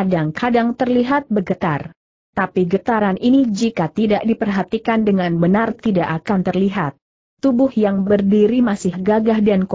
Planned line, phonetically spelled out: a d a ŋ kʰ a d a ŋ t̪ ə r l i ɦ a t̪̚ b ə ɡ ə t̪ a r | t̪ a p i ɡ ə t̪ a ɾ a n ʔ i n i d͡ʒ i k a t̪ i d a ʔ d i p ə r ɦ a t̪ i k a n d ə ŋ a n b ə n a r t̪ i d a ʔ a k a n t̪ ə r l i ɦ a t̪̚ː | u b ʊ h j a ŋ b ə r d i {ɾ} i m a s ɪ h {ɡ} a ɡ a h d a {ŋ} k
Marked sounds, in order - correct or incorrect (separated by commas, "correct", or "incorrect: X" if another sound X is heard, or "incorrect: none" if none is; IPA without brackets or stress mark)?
correct, correct, incorrect: n